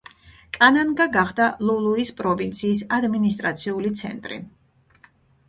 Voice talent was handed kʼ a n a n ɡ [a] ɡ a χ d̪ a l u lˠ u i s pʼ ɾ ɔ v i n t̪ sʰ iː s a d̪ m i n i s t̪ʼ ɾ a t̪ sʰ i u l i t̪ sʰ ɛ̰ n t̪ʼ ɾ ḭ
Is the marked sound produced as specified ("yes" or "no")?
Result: yes